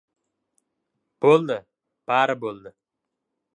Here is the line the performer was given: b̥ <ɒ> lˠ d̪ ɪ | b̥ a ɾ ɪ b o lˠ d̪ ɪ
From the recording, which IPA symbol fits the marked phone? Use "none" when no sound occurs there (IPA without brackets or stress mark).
o